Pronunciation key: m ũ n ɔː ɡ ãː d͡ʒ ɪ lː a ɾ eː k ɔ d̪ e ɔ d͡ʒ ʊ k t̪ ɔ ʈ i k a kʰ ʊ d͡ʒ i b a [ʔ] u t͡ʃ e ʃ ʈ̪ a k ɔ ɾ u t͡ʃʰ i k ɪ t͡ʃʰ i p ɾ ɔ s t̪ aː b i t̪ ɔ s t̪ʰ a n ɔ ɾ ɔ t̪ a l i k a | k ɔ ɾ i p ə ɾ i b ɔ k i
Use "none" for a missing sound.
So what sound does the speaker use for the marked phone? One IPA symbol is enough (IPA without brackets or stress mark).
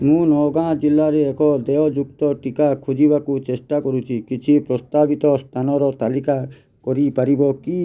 k